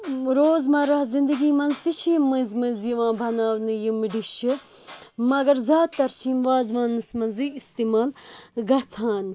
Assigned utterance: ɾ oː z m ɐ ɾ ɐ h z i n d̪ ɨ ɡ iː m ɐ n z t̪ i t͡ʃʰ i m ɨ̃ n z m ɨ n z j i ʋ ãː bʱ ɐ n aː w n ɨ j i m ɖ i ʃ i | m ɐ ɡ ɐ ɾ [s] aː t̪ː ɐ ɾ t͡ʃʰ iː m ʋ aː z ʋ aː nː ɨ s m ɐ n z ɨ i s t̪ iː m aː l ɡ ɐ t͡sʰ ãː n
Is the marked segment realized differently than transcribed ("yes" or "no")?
yes